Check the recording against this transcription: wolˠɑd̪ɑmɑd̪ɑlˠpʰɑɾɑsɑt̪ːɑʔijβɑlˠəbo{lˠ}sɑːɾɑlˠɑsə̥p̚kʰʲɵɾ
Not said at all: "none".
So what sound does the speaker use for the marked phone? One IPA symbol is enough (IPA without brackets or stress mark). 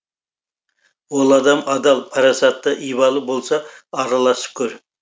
lˠ